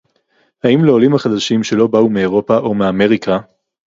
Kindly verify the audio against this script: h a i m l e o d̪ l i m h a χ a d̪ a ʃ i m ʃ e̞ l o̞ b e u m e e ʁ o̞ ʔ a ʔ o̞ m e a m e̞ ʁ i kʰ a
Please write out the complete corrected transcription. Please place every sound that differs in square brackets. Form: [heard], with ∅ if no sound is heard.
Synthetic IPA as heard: h a i m l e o [∅] l i m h a χ a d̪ a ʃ i m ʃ e̞ l o̞ b [a] u m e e ʁ o̞ [p] a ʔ o̞ m e a m e̞ ʁ i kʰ a